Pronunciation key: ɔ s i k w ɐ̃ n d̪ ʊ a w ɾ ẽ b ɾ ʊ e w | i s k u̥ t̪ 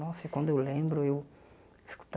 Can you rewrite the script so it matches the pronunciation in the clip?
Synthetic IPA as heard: ɔ s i k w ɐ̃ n d̪ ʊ e w l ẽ b ɾ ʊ e w | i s k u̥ t̪